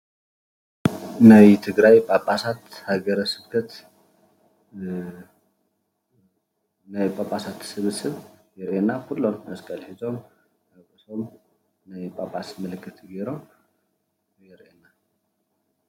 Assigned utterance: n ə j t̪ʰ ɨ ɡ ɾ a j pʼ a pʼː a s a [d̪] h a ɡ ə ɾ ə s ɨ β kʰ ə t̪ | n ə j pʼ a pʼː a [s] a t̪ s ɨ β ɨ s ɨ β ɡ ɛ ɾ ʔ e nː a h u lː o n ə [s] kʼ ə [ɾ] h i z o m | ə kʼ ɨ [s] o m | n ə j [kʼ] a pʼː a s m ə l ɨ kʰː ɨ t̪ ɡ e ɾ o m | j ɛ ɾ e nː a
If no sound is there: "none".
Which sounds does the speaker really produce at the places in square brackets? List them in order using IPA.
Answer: t̪, s, s, l, s, pʼ

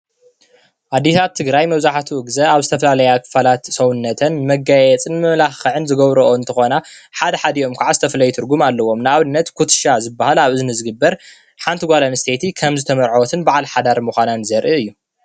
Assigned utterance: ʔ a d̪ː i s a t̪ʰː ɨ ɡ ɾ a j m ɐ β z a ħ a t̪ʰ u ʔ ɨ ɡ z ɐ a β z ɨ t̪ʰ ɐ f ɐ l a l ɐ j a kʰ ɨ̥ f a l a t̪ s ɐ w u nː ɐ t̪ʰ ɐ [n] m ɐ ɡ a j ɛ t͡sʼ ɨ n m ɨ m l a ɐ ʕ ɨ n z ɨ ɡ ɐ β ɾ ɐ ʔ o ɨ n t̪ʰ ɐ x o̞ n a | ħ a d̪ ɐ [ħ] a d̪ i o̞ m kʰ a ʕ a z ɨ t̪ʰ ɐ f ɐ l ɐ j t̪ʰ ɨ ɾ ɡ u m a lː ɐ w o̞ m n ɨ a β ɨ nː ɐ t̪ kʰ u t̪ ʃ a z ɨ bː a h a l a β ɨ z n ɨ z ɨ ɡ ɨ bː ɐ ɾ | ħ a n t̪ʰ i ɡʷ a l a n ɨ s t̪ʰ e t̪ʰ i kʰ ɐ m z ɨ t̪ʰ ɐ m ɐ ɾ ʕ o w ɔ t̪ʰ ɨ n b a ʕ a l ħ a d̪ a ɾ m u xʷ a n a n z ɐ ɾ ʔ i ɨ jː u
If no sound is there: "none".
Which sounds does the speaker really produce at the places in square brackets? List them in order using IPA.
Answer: n, ħ

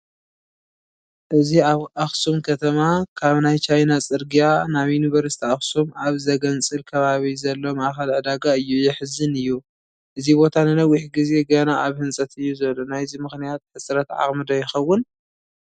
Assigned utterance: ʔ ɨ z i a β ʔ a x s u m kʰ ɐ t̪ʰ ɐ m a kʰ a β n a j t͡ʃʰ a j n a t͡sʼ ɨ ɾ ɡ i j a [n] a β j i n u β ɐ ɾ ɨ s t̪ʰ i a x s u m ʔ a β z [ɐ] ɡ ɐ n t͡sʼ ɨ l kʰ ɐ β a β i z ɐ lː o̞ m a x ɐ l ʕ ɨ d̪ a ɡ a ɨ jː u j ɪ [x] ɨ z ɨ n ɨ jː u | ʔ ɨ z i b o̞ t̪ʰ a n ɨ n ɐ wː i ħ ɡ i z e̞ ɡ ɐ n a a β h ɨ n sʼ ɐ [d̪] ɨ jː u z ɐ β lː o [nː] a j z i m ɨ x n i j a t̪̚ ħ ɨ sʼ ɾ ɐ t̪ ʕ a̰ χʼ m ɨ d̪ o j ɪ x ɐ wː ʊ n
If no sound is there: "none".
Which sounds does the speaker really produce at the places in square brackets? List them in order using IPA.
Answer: n, ɐ, ħ, t̪, n

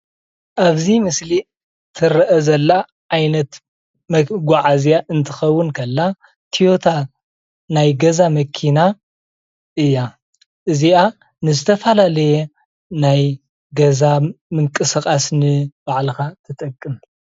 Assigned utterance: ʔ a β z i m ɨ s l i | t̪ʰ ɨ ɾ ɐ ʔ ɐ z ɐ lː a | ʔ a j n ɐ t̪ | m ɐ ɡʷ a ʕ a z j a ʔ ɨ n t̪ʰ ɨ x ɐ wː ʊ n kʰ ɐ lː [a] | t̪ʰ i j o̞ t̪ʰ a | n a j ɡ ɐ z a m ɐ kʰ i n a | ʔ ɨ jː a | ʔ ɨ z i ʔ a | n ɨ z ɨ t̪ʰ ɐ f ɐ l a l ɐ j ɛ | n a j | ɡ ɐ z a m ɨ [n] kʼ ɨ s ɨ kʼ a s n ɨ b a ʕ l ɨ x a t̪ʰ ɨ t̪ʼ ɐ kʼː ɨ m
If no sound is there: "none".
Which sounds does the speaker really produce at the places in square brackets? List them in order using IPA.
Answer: a, ŋ

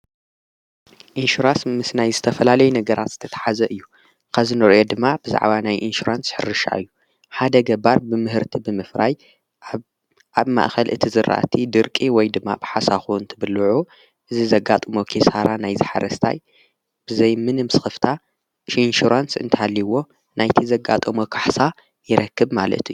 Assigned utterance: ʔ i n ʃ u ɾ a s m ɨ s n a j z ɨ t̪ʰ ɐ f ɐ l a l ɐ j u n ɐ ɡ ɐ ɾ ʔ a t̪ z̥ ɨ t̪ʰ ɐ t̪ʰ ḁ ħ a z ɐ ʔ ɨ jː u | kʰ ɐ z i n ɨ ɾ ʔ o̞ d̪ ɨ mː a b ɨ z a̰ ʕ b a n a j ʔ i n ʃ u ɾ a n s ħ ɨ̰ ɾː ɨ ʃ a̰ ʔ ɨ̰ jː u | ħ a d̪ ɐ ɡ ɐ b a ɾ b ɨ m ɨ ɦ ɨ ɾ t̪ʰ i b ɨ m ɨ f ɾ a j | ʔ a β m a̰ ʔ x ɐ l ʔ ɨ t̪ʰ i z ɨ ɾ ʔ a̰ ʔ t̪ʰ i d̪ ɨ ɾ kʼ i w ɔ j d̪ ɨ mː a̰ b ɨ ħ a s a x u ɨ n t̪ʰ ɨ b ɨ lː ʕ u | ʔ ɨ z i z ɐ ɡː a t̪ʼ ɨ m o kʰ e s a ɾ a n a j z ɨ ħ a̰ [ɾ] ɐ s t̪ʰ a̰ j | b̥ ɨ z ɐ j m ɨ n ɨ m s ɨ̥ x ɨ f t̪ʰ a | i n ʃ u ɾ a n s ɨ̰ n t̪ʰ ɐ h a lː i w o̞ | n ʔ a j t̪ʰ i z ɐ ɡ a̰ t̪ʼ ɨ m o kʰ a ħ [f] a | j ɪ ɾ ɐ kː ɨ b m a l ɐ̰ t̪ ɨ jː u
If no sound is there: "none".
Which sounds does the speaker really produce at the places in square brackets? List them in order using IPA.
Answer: ɾ, s

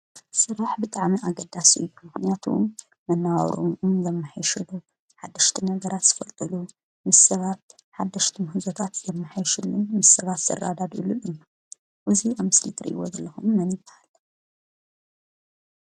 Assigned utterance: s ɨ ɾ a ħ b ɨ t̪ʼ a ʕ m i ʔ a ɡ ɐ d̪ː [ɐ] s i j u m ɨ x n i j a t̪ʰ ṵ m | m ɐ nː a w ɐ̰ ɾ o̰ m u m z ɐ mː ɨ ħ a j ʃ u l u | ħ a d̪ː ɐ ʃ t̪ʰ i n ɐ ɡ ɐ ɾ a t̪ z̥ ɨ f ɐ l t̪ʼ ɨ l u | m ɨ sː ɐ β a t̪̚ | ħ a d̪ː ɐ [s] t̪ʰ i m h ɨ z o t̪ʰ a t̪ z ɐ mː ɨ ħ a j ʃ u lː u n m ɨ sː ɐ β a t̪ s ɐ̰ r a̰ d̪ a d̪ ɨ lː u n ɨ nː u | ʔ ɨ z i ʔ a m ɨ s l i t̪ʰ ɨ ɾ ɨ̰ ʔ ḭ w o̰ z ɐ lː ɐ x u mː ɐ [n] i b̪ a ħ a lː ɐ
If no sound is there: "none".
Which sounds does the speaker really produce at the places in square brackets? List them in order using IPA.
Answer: a, ʃ, n

